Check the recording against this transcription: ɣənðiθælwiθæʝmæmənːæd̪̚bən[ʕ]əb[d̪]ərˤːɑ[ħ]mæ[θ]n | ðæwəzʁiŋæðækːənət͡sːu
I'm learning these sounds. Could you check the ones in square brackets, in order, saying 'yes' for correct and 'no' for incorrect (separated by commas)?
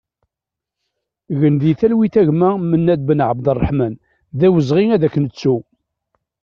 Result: yes, yes, yes, no